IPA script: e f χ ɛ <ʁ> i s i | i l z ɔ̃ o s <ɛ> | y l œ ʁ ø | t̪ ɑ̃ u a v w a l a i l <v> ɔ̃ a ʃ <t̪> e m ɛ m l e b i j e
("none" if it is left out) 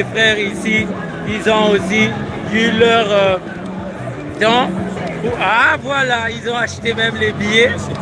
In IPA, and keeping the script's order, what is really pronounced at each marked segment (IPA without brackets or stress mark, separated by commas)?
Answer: ʁ, i, z, t̪